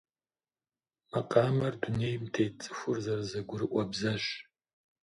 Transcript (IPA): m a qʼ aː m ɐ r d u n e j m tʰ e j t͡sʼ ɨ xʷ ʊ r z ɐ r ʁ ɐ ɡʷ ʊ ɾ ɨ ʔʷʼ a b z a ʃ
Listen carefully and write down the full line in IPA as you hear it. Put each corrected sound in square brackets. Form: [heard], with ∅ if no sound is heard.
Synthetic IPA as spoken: m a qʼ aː m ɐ r d u n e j m tʰ e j t͡sʼ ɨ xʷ ʊ r z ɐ r [z] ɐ ɡʷ ʊ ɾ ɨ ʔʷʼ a b z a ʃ